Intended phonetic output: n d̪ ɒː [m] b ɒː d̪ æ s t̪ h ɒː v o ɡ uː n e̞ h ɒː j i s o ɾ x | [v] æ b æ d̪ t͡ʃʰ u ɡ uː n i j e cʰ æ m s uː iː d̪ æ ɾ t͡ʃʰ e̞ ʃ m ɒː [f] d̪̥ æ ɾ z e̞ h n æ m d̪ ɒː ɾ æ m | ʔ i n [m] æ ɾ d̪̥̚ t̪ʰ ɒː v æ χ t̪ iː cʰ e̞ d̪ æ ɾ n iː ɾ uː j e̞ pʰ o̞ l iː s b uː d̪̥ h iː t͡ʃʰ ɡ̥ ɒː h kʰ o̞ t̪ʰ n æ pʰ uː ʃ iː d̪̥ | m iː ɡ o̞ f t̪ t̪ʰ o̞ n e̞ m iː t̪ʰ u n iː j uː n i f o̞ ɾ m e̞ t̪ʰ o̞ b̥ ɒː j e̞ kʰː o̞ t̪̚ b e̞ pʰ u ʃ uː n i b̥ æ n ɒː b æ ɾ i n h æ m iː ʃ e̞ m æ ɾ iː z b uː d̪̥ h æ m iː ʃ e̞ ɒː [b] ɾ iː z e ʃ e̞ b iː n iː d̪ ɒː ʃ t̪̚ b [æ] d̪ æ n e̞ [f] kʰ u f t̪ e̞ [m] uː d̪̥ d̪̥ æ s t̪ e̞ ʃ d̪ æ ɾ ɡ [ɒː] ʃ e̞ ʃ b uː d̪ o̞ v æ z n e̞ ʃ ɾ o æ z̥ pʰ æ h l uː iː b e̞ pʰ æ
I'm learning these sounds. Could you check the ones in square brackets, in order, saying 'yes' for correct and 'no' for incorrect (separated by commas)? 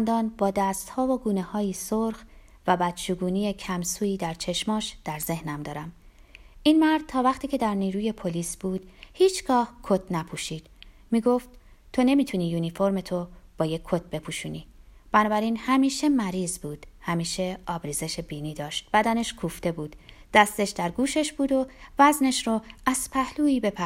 no, yes, no, yes, yes, yes, no, no, no